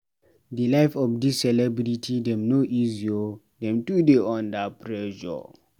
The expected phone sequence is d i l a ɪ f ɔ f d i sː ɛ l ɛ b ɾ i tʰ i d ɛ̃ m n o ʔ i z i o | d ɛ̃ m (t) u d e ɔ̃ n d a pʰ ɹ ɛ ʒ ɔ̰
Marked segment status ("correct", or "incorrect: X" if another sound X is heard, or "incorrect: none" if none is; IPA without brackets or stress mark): correct